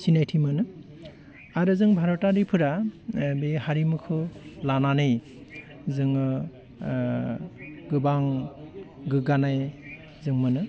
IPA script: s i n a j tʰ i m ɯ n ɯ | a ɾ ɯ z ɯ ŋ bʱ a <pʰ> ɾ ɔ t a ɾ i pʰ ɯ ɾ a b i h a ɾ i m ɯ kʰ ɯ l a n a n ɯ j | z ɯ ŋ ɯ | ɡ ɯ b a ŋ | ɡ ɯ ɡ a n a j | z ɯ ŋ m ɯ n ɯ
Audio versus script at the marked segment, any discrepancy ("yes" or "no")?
yes